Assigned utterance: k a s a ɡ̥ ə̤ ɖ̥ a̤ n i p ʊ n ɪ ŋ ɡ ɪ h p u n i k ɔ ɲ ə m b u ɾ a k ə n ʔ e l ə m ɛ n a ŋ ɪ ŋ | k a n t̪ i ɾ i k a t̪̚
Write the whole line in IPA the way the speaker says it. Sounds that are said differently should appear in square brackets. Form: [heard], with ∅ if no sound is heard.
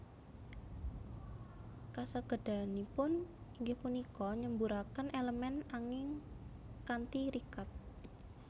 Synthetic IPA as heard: k a s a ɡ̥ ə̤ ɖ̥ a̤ n i p ʊ n [i] ŋ ɡ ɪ h p u n i k ɔ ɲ ə m b u ɾ a k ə n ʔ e l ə m ɛ n a ŋ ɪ ŋ | k a n t̪ i ɾ i k a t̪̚